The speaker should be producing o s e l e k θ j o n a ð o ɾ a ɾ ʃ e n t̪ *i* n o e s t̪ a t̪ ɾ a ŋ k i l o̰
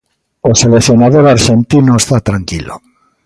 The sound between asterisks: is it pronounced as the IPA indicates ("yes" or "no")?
yes